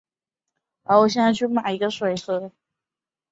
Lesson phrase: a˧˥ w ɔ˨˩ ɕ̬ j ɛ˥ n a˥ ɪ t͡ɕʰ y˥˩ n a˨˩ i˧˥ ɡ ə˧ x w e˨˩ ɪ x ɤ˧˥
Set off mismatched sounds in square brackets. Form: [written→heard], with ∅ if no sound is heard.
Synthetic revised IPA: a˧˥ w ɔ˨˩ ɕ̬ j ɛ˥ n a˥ ɪ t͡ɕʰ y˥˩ [n→m] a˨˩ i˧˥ ɡ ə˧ [x→ʂ] w e˨˩ ɪ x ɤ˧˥